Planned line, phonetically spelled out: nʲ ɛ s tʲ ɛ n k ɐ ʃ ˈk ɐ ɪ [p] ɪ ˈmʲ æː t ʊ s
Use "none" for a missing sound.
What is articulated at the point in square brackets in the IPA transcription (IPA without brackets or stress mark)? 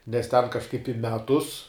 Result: p